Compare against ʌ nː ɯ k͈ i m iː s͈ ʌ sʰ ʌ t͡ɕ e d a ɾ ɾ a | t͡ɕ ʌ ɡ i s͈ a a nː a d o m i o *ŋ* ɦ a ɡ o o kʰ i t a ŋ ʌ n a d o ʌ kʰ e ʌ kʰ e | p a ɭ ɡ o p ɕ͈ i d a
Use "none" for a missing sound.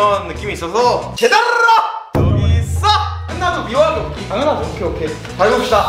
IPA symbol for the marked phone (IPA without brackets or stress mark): none